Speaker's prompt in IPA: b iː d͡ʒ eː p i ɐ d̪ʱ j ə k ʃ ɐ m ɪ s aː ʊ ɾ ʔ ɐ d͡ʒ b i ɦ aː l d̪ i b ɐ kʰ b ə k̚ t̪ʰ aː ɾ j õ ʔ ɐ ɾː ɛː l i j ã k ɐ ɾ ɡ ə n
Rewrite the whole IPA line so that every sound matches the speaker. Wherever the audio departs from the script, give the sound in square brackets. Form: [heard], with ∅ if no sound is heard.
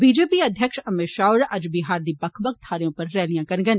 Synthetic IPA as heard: b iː d͡ʒ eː p i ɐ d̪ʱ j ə k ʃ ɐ m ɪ [ʃ] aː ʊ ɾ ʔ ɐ d͡ʒ b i ɦ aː [ɾ] d̪ i b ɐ kʰ b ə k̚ t̪ʰ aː ɾ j õ [p] ɐ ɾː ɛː l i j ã k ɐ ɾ ɡ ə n

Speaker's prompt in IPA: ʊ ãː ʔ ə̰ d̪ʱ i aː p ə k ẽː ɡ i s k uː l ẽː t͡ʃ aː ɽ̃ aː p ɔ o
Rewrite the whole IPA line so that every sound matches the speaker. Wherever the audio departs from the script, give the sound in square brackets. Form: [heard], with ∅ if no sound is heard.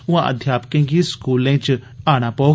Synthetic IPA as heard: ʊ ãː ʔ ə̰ d̪ʱ [j] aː p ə k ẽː ɡ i s k uː l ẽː t͡ʃ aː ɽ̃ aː p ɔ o

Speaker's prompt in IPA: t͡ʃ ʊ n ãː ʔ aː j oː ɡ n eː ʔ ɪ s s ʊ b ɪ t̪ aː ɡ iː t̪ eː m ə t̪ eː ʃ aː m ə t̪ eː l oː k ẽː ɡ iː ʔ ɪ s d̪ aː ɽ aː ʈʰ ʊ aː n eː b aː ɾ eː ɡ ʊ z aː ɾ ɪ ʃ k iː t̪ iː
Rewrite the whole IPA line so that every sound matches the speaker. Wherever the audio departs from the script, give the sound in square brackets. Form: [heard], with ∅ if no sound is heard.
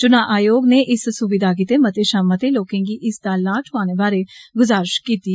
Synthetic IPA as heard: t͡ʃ ʊ n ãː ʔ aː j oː ɡ n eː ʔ ɪ s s ʊ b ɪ [d̪] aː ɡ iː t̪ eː m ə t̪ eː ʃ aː m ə t̪ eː l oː k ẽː ɡ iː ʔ ɪ s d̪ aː [l] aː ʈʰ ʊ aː n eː b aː ɾ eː ɡ ʊ z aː ɾ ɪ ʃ k iː t̪ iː

